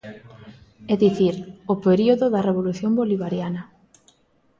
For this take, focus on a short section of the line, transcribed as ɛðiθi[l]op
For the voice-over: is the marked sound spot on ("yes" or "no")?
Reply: no